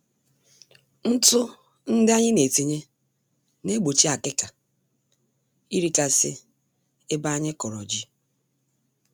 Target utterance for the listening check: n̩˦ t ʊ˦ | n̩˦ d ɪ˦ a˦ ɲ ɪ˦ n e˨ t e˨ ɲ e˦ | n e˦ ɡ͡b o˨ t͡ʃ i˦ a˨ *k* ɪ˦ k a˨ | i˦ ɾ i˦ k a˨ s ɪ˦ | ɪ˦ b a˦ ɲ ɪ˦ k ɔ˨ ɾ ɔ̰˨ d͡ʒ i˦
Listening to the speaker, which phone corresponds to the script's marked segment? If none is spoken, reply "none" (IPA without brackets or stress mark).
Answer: k